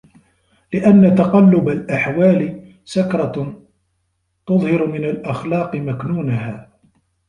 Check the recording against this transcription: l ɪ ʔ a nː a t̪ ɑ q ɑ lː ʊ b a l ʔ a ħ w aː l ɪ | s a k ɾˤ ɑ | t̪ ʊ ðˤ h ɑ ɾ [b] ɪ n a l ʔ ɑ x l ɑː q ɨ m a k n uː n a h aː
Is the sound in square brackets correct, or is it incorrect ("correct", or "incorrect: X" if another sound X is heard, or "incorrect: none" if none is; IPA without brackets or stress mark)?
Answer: incorrect: m